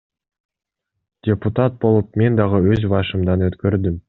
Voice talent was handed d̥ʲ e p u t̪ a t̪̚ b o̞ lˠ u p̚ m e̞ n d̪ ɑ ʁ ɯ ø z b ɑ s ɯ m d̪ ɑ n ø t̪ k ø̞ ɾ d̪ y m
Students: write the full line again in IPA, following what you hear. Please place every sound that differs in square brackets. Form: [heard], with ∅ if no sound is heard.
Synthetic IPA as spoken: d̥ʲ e p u t̪ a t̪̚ b o̞ lˠ u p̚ m e̞ n d̪ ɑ ʁ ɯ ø z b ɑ [ʃ] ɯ m d̪ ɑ n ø t̪ k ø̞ ɾ d̪ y m